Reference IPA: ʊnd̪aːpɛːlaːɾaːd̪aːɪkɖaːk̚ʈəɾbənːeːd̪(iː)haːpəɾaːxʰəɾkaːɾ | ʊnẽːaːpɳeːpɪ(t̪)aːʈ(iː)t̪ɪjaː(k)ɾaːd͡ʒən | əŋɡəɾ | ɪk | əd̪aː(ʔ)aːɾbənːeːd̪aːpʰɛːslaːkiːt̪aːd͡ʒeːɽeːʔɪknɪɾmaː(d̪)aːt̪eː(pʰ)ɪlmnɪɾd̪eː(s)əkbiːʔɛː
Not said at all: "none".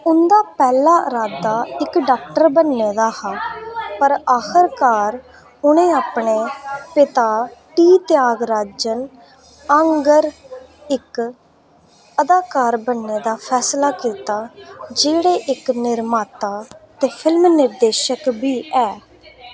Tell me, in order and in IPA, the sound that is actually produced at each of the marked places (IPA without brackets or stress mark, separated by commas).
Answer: aː, t̪, iː, ɡ, k, t̪, pʰ, ʃ